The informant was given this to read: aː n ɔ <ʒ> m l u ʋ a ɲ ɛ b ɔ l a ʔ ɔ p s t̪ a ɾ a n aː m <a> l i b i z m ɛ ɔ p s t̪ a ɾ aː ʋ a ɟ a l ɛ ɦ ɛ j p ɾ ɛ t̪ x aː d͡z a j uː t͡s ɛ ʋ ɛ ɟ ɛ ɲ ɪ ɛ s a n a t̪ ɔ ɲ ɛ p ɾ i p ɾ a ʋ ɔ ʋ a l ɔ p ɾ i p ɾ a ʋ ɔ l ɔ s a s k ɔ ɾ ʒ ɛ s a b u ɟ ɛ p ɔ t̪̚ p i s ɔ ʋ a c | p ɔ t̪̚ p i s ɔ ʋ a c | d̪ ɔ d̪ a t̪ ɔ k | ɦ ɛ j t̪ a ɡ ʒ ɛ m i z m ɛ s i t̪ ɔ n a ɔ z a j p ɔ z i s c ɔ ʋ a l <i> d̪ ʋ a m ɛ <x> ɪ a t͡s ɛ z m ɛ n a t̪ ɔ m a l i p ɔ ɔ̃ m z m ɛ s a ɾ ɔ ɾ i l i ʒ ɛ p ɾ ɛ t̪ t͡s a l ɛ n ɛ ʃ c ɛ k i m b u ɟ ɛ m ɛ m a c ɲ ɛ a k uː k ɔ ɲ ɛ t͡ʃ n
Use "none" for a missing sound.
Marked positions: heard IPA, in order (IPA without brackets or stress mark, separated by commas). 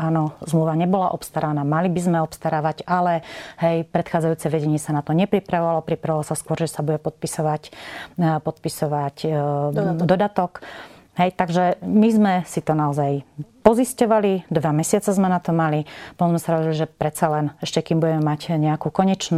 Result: z, a, i, s